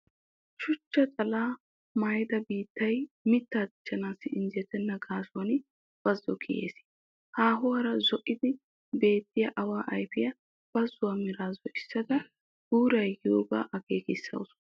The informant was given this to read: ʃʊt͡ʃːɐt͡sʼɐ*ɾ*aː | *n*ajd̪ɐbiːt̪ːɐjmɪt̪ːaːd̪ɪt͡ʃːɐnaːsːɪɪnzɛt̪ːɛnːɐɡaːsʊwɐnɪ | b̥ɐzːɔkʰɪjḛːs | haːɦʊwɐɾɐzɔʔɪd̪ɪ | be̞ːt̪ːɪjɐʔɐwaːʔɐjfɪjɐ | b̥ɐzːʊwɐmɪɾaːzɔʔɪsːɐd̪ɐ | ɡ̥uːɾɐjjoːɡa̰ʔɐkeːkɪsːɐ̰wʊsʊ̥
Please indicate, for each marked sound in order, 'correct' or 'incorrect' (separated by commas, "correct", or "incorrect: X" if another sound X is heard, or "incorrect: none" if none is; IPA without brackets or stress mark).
incorrect: l, incorrect: m